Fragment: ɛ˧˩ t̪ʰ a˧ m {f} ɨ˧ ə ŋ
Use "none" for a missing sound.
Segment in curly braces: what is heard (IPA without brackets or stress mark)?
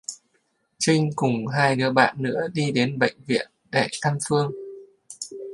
f